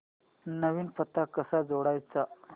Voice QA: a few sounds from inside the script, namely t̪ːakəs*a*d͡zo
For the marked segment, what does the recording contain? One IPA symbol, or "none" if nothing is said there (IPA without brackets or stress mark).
a